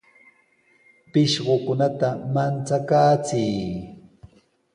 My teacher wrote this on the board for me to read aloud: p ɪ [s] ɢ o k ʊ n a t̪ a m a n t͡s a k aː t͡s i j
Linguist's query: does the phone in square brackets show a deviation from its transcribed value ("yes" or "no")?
yes